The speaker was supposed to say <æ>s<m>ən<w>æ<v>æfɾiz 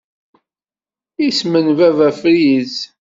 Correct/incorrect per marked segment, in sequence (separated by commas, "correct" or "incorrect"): incorrect, correct, incorrect, correct